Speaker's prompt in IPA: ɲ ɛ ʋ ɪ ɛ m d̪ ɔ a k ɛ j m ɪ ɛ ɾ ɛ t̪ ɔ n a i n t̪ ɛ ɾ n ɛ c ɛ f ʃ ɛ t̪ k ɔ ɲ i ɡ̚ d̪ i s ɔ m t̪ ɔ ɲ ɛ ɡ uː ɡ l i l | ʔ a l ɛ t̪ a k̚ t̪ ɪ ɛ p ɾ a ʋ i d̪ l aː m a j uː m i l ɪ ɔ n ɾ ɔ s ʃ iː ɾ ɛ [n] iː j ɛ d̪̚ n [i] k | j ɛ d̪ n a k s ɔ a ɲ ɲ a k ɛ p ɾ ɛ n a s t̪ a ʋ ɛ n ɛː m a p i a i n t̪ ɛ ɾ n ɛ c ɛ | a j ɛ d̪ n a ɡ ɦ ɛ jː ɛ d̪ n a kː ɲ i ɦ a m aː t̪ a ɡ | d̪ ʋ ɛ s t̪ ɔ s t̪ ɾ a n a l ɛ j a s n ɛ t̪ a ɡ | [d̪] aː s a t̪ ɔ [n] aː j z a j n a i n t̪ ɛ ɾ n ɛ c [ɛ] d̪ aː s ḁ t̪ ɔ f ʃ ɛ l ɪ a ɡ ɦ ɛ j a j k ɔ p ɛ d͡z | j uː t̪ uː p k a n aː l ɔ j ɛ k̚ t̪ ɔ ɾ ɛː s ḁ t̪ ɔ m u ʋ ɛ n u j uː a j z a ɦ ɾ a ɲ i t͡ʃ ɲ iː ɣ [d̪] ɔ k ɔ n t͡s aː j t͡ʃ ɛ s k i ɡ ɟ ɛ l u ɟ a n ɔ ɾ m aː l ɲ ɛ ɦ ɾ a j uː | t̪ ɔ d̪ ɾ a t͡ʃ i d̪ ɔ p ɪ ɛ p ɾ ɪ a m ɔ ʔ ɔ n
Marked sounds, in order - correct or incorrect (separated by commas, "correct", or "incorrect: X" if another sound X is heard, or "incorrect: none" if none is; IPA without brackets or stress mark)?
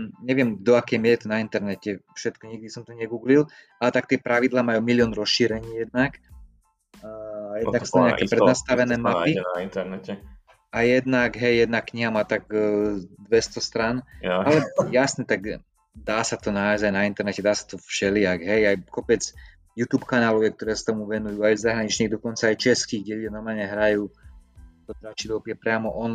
incorrect: ɲ, incorrect: a, correct, correct, correct, correct